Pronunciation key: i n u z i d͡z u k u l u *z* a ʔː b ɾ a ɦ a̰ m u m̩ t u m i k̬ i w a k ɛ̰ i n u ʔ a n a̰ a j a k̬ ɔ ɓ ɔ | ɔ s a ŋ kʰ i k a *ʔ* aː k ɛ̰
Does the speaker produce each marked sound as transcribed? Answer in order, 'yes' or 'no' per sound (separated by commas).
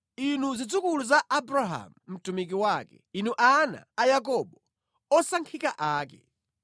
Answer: yes, yes